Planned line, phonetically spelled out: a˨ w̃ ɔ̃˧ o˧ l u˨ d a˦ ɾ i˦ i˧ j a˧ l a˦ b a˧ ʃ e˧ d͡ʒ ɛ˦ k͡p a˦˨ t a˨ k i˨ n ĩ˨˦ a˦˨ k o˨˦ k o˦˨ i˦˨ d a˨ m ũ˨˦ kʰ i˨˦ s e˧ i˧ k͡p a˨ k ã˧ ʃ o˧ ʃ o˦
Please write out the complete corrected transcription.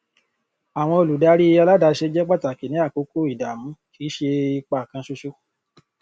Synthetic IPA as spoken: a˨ w̃ ɔ̃˧ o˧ l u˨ d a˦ ɾ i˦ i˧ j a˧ l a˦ d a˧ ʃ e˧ d͡ʒ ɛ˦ k͡p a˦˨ t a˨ k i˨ n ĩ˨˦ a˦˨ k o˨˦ k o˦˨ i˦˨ d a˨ m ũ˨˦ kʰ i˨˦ ʃ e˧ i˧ k͡p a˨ k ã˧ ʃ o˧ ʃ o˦